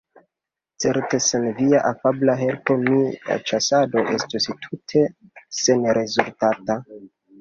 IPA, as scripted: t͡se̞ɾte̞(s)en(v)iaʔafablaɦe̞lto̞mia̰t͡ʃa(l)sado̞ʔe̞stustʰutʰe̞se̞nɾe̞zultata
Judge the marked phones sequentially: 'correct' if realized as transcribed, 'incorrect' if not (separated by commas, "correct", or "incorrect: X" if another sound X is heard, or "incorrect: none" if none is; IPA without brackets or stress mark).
correct, correct, incorrect: none